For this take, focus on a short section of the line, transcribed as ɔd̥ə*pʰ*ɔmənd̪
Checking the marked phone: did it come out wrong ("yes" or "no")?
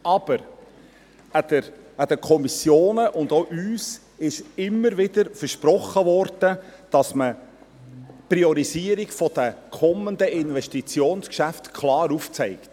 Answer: yes